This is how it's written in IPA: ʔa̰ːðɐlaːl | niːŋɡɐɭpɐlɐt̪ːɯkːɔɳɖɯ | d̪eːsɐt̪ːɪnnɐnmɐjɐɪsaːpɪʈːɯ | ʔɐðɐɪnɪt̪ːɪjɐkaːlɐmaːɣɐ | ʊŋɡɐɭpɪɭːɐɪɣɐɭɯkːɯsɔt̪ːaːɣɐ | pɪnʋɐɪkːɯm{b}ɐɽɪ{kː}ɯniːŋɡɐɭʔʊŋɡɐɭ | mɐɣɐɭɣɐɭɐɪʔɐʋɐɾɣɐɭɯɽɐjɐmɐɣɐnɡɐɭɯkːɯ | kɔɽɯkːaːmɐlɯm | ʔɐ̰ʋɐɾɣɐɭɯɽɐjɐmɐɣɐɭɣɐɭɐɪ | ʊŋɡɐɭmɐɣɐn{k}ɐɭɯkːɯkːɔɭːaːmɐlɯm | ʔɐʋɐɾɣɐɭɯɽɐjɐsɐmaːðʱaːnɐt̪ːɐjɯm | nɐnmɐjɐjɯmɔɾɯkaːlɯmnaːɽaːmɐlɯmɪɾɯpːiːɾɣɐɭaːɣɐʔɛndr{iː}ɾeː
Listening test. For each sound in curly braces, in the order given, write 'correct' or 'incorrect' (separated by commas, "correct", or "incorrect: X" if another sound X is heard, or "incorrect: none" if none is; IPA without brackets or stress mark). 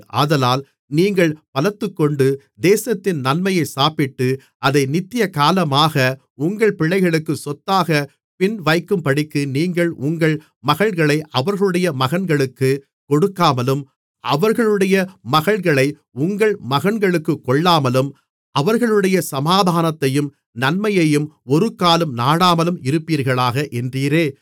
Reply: incorrect: p, correct, incorrect: ɡ, correct